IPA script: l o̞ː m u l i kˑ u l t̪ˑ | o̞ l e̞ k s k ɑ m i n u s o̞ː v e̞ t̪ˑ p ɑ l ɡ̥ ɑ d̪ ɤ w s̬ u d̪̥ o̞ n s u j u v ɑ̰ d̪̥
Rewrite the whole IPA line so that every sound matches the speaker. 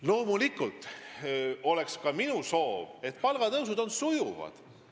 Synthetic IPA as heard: l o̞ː m u l i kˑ u l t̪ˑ | o̞ l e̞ k s k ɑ m i n u s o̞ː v e̞ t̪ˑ p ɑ l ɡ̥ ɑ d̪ ɤ w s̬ u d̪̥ o̞ n s u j u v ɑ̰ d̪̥